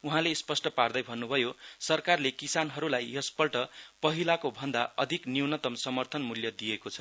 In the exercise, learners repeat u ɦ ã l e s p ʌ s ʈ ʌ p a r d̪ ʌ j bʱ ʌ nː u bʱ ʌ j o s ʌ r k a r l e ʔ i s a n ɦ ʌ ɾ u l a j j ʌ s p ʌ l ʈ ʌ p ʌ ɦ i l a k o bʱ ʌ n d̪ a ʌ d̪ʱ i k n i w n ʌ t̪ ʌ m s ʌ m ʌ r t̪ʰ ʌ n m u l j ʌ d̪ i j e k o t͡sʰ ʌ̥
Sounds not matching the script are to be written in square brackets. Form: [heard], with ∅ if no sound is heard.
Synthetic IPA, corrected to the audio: u ɦ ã l e s p ʌ s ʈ ʌ p a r d̪ ʌ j bʱ ʌ nː u bʱ ʌ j o s ʌ r k a r l e [k] i s a n ɦ ʌ ɾ u l a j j ʌ s p ʌ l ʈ ʌ p ʌ ɦ i l a k o bʱ ʌ n d̪ a ʌ d̪ʱ i k n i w n ʌ t̪ ʌ m s ʌ m ʌ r t̪ʰ ʌ n m u l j ʌ d̪ i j e k o t͡sʰ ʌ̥